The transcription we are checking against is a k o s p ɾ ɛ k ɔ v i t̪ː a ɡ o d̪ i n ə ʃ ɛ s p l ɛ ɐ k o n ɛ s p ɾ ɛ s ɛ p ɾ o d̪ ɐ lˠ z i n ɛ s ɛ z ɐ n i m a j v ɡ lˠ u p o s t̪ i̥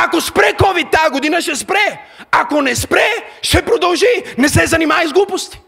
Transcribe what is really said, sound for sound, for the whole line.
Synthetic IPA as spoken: a k o s p ɾ ɛ k ɔ v i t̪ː a ɡ o d̪ i n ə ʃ ɛ s p ɾ ɛ a k o n ɛ s p ɾ ɛ ʃ ɛ p ɾ o d̪ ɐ lˠ ʒ i n ɛ s ɛ z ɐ n i m a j z ɡ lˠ u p o s t̪ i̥